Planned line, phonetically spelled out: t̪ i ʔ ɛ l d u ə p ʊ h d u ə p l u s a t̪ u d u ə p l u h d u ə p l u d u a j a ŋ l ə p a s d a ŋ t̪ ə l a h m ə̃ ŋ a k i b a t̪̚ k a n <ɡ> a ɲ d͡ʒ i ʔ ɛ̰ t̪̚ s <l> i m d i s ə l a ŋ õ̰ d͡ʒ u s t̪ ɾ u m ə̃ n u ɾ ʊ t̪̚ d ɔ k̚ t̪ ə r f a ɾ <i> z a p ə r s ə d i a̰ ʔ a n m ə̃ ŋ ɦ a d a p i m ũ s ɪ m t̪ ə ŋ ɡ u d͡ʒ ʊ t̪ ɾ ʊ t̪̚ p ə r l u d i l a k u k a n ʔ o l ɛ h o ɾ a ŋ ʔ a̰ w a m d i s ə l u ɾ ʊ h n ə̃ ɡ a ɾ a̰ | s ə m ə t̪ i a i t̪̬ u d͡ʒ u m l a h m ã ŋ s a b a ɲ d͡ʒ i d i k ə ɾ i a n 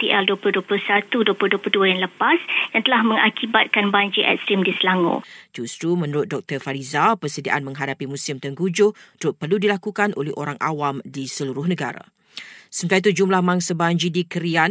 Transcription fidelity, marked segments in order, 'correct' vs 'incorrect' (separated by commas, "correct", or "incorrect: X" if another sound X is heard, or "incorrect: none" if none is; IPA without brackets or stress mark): incorrect: b, incorrect: ɾ, correct